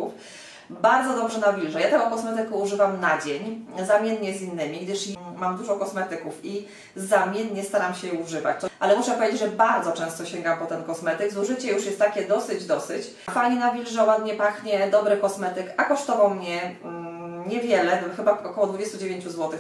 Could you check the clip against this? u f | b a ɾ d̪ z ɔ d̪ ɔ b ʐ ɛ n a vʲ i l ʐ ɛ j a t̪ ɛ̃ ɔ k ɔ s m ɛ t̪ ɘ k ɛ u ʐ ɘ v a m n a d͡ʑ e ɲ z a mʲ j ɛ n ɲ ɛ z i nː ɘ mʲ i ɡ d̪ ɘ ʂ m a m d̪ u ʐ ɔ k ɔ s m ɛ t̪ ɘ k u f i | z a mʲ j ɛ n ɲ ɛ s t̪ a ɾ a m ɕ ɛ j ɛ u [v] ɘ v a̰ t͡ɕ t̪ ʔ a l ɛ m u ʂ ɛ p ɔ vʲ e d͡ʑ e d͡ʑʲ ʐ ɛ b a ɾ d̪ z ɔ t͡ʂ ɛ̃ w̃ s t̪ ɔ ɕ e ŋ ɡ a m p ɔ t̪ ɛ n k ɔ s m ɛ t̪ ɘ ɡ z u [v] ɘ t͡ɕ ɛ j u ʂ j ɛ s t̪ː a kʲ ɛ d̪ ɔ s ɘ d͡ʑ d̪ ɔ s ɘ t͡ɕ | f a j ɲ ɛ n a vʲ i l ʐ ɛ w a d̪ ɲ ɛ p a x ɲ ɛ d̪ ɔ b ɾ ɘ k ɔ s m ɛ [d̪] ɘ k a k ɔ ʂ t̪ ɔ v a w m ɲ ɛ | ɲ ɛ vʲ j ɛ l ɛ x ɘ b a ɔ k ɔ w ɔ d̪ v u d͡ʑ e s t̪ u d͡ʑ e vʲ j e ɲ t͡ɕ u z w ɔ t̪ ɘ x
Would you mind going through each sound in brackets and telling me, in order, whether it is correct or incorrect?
incorrect: ʐ, incorrect: ʐ, incorrect: t̪

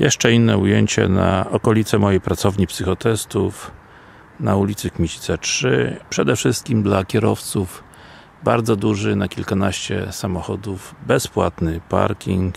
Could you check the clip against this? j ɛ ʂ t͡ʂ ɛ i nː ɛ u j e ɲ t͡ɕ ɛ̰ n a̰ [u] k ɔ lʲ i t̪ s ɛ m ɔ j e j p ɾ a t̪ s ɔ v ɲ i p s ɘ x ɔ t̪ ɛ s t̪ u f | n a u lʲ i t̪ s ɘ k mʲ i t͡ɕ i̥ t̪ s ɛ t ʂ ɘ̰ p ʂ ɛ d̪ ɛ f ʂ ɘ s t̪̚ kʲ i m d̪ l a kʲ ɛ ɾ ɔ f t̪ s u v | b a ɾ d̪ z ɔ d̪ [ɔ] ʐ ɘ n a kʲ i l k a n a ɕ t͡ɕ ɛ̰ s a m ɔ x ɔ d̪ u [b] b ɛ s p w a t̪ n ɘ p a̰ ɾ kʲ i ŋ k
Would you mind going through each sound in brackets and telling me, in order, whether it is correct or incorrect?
incorrect: ɔ, incorrect: u, incorrect: v

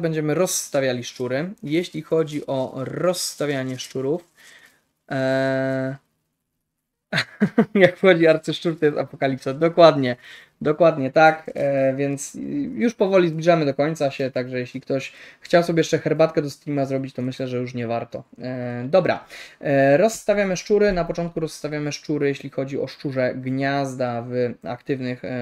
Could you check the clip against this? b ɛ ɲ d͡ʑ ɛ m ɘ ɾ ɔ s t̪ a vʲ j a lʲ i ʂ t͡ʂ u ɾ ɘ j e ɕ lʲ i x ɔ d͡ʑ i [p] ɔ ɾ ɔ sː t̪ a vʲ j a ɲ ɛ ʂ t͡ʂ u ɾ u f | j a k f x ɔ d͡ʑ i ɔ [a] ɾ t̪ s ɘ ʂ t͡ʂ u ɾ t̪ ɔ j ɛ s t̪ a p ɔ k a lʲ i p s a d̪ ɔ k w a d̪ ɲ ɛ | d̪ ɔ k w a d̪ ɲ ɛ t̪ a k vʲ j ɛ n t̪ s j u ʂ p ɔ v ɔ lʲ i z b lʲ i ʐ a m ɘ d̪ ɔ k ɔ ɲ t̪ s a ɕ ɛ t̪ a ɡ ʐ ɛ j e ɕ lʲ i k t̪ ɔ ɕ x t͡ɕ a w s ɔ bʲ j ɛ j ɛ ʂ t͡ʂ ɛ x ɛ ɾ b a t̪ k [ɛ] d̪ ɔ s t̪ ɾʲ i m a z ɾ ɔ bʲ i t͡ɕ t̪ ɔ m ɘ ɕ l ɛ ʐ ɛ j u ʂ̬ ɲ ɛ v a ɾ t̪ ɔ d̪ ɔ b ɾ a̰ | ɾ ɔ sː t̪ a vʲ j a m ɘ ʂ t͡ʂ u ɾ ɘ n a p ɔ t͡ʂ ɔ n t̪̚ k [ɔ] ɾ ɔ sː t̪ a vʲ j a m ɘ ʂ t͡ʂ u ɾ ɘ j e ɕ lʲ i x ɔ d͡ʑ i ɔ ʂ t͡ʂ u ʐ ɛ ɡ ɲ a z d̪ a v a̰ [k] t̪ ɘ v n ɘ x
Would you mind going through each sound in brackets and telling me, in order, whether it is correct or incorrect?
incorrect: ʔ, correct, correct, incorrect: u, correct

